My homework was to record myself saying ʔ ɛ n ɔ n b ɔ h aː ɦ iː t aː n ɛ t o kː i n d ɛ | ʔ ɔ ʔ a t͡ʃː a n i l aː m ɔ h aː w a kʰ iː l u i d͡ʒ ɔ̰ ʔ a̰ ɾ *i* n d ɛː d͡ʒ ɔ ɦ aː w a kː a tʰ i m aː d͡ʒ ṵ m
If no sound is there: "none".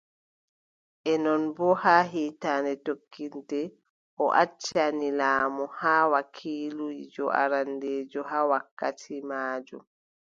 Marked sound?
a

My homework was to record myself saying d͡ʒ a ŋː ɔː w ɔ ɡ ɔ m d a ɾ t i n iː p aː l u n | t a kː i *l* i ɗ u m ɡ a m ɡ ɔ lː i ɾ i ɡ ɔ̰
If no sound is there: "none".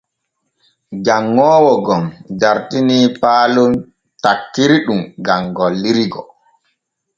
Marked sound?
ɾ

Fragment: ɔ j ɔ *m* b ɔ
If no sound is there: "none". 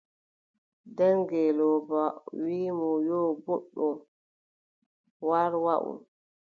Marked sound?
none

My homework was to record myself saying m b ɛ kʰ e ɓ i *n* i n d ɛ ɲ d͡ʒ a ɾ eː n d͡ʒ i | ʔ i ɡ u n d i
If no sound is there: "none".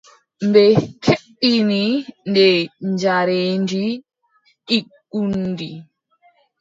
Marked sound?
n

